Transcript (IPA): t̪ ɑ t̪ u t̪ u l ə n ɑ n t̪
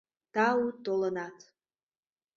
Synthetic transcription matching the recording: t̪ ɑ u t̪ o l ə n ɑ t̪